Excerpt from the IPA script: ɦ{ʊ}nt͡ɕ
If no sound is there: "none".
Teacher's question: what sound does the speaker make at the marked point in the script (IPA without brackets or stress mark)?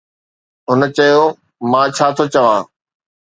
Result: ʊ